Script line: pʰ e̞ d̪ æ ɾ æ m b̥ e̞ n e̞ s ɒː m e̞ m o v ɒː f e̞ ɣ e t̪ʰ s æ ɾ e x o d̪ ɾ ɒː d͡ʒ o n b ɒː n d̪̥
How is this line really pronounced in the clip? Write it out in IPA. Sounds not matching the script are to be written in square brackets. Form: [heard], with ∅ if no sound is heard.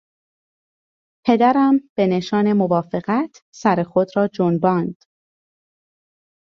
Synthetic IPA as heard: pʰ e̞ d̪ æ ɾ æ m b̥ e̞ n e̞ [ʃ] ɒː [n] e̞ m o v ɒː f e̞ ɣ [æ] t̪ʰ s æ ɾ e x o d̪ ɾ ɒː d͡ʒ o n b ɒː n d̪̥